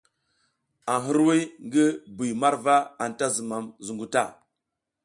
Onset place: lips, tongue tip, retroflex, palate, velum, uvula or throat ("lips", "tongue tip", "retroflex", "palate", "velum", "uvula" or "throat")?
throat